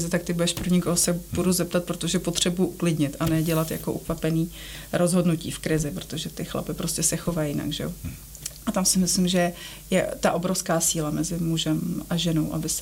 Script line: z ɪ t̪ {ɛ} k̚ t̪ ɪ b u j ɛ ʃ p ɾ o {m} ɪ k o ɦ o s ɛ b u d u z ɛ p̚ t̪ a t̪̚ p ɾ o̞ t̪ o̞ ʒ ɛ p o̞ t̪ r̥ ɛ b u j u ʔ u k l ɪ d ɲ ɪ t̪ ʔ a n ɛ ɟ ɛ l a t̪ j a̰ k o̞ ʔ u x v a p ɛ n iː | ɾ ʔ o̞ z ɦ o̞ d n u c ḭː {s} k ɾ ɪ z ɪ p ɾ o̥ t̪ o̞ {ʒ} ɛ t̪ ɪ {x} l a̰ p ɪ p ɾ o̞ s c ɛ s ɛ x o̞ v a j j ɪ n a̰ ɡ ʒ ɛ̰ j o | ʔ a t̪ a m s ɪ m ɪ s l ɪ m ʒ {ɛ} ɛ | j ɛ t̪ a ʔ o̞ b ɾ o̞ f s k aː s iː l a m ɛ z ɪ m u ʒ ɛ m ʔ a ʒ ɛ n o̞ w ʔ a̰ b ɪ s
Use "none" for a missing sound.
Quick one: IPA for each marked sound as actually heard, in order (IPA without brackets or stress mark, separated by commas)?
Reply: a, ɲ, f, ʒ, x, ɛ